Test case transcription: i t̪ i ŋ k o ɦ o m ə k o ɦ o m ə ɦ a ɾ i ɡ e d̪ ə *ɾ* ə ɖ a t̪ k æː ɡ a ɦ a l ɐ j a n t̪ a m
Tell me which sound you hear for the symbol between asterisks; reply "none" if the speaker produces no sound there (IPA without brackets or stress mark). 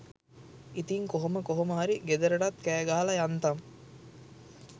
ɾ